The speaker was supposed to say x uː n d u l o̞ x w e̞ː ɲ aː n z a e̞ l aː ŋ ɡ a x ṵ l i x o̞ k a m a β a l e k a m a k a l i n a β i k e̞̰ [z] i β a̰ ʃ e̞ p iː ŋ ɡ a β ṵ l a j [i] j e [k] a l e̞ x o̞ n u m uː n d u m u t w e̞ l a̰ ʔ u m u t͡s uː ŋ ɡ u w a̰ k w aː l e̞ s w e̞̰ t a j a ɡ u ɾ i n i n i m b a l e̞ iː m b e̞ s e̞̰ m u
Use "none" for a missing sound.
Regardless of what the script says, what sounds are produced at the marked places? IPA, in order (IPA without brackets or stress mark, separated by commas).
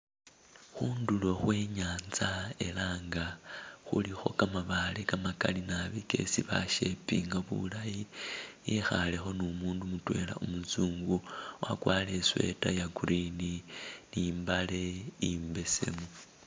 s, i, x